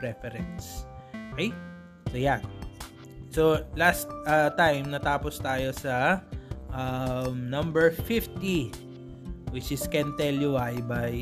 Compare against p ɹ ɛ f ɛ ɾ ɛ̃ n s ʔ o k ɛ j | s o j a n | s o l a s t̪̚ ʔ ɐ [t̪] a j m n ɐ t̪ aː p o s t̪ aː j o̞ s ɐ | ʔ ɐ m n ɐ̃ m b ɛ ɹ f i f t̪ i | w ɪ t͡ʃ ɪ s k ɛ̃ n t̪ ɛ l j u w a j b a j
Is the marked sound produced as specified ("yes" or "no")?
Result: yes